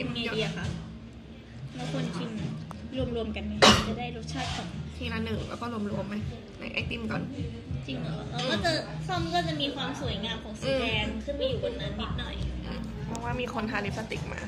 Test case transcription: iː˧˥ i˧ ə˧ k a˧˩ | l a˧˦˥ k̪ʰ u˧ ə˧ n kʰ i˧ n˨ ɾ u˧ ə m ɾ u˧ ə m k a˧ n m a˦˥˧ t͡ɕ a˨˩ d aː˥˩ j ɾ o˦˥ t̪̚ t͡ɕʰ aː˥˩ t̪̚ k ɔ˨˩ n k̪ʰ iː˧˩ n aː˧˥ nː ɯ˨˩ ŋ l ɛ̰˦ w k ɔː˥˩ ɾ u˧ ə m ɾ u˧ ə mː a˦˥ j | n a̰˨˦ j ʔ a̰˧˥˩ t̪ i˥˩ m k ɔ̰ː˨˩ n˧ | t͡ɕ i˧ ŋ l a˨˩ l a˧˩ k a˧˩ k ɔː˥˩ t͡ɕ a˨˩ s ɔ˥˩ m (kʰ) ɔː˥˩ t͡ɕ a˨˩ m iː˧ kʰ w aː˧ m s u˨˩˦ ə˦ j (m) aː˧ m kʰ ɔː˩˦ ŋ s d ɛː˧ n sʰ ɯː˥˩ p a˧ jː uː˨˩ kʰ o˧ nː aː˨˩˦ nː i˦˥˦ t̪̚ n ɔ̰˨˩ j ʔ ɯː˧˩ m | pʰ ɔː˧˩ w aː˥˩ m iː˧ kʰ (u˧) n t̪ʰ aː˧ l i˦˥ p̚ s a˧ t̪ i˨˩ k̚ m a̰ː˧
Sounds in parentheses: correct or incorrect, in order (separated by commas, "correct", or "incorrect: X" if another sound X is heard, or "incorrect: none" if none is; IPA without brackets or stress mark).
incorrect: k, incorrect: ŋ, incorrect: o˧